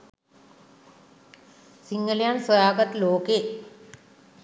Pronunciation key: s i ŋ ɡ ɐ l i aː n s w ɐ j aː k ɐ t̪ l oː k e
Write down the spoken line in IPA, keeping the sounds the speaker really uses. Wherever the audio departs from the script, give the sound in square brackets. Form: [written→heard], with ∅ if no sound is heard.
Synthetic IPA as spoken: s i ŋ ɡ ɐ l [i→j] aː n s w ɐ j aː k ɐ t̪ l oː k e